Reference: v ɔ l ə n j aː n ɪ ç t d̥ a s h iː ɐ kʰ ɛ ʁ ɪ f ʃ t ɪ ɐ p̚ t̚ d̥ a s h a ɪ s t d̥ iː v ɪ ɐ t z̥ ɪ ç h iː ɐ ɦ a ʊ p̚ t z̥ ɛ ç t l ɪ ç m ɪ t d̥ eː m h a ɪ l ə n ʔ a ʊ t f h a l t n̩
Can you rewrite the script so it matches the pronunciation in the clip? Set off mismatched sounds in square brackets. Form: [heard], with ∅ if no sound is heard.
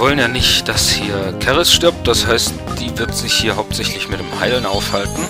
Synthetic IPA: v ɔ l ə n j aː n ɪ ç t d̥ a s h iː ɐ kʰ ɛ ʁ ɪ [s] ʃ t ɪ ɐ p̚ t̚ d̥ a s h a ɪ s t d̥ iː v ɪ ɐ t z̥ ɪ ç h iː ɐ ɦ a ʊ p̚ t z̥ ɛ ç t l ɪ ç m ɪ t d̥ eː m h a ɪ l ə n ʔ a ʊ [∅] f h a l t n̩